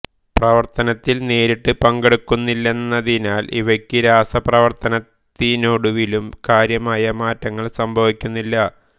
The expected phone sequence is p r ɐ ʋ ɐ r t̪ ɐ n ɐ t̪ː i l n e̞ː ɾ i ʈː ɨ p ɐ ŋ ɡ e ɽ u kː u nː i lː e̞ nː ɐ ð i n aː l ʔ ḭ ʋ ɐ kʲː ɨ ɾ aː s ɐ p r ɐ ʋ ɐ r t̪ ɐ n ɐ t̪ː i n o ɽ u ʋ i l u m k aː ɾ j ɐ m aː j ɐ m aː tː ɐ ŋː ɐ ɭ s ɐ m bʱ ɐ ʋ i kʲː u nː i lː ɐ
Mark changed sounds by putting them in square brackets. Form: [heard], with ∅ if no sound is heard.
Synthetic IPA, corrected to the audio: p r ɐ ʋ ɐ r t̪ ɐ n ɐ t̪ː i l n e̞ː ɾ i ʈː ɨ p ɐ ŋ ɡ e ɽ u kː u nː i lː e̞ nː ɐ ð i n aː l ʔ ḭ ʋ ɐ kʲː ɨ ɾ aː s ɐ p r ɐ ʋ ɐ r t̪ ɐ n ɐ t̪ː i n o ɽ u ʋ i l u m k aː ɾ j ɐ m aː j ɐ m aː tː ɐ ŋː ɐ ɭ s ɐ m bʱ ɐ ʋ i kʲː u nː i lː ɐ